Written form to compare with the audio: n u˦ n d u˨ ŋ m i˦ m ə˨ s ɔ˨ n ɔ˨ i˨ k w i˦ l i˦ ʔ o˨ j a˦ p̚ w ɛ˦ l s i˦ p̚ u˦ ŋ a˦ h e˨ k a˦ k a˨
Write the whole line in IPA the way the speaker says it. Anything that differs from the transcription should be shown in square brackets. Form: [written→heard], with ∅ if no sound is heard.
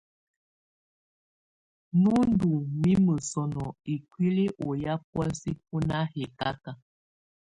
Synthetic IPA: n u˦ n d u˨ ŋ m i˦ m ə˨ s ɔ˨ n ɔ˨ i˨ k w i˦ l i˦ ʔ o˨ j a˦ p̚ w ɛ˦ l s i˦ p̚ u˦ [ŋ→n] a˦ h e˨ k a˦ k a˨